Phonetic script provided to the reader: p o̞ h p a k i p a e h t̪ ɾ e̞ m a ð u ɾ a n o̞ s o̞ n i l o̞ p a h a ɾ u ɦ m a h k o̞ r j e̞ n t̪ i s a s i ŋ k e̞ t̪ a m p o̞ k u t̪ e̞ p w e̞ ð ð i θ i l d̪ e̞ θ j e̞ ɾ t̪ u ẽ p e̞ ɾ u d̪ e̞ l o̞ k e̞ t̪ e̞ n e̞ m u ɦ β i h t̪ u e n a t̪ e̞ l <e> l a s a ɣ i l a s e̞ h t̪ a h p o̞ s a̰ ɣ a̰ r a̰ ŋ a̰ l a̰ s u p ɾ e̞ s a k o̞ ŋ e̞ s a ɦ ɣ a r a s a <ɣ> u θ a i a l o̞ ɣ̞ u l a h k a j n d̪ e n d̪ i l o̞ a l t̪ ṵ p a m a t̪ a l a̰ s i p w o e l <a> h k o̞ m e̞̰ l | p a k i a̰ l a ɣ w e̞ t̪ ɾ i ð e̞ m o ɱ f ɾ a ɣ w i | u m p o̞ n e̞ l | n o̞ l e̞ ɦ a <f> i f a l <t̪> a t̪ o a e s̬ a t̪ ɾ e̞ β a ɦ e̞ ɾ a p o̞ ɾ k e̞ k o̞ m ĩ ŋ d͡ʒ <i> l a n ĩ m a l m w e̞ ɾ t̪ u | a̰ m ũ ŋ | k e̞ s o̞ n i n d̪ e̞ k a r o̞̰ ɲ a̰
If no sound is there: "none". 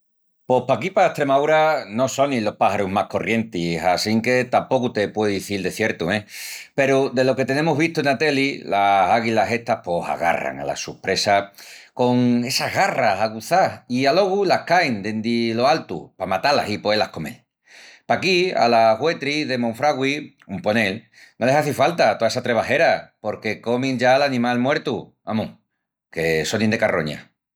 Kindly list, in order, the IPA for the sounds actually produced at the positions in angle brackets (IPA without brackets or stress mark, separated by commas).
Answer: i, ɣ, a, θ, t̪, a